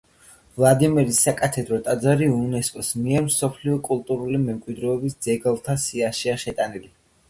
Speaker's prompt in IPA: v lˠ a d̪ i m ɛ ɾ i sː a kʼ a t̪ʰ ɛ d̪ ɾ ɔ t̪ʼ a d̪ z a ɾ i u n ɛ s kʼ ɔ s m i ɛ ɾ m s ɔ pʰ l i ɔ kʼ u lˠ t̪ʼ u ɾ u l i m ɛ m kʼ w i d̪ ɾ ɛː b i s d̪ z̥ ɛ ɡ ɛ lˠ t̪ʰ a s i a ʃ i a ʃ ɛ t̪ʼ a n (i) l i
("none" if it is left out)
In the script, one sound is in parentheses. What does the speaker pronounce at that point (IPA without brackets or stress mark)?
i